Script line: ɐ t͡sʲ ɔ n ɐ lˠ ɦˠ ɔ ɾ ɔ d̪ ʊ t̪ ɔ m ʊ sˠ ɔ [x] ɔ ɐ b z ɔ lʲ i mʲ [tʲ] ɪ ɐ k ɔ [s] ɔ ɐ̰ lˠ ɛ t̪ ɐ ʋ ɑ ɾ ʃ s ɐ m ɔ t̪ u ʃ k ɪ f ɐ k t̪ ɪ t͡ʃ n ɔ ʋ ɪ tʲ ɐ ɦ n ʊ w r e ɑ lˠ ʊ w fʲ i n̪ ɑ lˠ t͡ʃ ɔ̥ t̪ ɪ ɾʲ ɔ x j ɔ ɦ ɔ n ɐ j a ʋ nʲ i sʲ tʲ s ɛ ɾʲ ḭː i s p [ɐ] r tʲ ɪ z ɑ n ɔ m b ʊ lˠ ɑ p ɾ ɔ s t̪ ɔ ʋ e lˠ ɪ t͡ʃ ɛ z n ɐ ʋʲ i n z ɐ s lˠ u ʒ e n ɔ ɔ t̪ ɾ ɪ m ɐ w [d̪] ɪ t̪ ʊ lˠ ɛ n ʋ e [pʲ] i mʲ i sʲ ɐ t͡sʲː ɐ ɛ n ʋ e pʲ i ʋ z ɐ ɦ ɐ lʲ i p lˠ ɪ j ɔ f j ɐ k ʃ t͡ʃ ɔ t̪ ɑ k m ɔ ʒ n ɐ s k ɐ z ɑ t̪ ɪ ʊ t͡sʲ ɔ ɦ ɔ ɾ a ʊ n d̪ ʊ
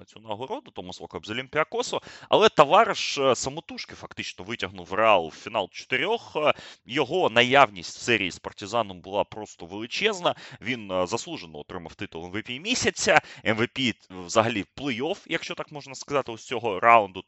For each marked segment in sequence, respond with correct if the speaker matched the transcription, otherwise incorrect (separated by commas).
incorrect, incorrect, correct, correct, incorrect, correct